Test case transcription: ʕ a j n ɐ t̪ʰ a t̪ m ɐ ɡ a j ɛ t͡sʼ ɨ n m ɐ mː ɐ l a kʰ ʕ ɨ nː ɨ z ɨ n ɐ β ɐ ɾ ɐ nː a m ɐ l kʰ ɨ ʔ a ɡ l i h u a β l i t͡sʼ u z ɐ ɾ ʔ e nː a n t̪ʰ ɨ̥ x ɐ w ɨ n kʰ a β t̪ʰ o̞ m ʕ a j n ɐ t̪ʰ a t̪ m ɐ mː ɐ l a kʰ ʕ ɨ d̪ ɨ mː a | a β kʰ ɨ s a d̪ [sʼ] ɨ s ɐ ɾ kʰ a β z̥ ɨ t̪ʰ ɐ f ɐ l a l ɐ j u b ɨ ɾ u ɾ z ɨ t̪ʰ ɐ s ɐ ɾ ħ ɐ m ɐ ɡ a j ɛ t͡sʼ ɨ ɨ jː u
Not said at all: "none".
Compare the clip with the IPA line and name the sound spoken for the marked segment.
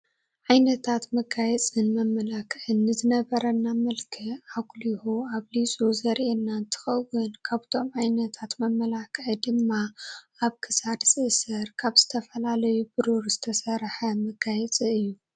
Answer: sʼ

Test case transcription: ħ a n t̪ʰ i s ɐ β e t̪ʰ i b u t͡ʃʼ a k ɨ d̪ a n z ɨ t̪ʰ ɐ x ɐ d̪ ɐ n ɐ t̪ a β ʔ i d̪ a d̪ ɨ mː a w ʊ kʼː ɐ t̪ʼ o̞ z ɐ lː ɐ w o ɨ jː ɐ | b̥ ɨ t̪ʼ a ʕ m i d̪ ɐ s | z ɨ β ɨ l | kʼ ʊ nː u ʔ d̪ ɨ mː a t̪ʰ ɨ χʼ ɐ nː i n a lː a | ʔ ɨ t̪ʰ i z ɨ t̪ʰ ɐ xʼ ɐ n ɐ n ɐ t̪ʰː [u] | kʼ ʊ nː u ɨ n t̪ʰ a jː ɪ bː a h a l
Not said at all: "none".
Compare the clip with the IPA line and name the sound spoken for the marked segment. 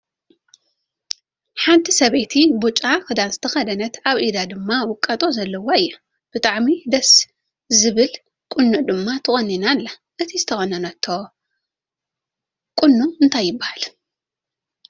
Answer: o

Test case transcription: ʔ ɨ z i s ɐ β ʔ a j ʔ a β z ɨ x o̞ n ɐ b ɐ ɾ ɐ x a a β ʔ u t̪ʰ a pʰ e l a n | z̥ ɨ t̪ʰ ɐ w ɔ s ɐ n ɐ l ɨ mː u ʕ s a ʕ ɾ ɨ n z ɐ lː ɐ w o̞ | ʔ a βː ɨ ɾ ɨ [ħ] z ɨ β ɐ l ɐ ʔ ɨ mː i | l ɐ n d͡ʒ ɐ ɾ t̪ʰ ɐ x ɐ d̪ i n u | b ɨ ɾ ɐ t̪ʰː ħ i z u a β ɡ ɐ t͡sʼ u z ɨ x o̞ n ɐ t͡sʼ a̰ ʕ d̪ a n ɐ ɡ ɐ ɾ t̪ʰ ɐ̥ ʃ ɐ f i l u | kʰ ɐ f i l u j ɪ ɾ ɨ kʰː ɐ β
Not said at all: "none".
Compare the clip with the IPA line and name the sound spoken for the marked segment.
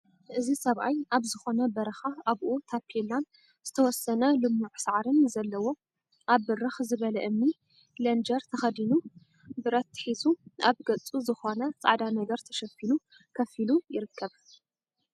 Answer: x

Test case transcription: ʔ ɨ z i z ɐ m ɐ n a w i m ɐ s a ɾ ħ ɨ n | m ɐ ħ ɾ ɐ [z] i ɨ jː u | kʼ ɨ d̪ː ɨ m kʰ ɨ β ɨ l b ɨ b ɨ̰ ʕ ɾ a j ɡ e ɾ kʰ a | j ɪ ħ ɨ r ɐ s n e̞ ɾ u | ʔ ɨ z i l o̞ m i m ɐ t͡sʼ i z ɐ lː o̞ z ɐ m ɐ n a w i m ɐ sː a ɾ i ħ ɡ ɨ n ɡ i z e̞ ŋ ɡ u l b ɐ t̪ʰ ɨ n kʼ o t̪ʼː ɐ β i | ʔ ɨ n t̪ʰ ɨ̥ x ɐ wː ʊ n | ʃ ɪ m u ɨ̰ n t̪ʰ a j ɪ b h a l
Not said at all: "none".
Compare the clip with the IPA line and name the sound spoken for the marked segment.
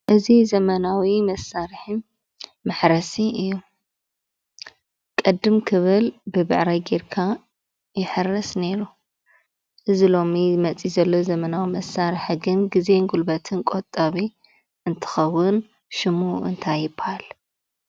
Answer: s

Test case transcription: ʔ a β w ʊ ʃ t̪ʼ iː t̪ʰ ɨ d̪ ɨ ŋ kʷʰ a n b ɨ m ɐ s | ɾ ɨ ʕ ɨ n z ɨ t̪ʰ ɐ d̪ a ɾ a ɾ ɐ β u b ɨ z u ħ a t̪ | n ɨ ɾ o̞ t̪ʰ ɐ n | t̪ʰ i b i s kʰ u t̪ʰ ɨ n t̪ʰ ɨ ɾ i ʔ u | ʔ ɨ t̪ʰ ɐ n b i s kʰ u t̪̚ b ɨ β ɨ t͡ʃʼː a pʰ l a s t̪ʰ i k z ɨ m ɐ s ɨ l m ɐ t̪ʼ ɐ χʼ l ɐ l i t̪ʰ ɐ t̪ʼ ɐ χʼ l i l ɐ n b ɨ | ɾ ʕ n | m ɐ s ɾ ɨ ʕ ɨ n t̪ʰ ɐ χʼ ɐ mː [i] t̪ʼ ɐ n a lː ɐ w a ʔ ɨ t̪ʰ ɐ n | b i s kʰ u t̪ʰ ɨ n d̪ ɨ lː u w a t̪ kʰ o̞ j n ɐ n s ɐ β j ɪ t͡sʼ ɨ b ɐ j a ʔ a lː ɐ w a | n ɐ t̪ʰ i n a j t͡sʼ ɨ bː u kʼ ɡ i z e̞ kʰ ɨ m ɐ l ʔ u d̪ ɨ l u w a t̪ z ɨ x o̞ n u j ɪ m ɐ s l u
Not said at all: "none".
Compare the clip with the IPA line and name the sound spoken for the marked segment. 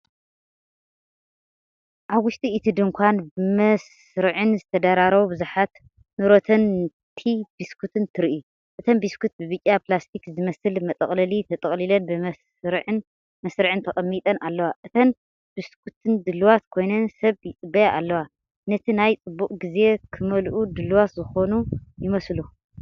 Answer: i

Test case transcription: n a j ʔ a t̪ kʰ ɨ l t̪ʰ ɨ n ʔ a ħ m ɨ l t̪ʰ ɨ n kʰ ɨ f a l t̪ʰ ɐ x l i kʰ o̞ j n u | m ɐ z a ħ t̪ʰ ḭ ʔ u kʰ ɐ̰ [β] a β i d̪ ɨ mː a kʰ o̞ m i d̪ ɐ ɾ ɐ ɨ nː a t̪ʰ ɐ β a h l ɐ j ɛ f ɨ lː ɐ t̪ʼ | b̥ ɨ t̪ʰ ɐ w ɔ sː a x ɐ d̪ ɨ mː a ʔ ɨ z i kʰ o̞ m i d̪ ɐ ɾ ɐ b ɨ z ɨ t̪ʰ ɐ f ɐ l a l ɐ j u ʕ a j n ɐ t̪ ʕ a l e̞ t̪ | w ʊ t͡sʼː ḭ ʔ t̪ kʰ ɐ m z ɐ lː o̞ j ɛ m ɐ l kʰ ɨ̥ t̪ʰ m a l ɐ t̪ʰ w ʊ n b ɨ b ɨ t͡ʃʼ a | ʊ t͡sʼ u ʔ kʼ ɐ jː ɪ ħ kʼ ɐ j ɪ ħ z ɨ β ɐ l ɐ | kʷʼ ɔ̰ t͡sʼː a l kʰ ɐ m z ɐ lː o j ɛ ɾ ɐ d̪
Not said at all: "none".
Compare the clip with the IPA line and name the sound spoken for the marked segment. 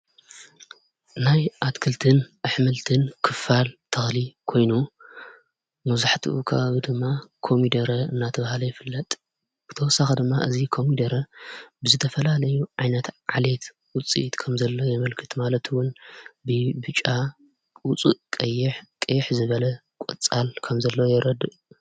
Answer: β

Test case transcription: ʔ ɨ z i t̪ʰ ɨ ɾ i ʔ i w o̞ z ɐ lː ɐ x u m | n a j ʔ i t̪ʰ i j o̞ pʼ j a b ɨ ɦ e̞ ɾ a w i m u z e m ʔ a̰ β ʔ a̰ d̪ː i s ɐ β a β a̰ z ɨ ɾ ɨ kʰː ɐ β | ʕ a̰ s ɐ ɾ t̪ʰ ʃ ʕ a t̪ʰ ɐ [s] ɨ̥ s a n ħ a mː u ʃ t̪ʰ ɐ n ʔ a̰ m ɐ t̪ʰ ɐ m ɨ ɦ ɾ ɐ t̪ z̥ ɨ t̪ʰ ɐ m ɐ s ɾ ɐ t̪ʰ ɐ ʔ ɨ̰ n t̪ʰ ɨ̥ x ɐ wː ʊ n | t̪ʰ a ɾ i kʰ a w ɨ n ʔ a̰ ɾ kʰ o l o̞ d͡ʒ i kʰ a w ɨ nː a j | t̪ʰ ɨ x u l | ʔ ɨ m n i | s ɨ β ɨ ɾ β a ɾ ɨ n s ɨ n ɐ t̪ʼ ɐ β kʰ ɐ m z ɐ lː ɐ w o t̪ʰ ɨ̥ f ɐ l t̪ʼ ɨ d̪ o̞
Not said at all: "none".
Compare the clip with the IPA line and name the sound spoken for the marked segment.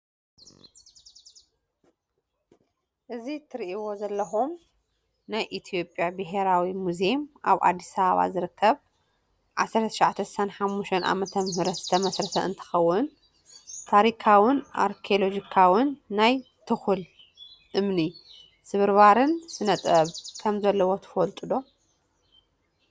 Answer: s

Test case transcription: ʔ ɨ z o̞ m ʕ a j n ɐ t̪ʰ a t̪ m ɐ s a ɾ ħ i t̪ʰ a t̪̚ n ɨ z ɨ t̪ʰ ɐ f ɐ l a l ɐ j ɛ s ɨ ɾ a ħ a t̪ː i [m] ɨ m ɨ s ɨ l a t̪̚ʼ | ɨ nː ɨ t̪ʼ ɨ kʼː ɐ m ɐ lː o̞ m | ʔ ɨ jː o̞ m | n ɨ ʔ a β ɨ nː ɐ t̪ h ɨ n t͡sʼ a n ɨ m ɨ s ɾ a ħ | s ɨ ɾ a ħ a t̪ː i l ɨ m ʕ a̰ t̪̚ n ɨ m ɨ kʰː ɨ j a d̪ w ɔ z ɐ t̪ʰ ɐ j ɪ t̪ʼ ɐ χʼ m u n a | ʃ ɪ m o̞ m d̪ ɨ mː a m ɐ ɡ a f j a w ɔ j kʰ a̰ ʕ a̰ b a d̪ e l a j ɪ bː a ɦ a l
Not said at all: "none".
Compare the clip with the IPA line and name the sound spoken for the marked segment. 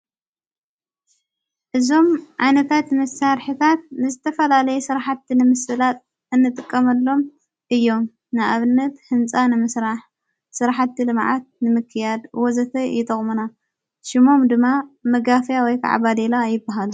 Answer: n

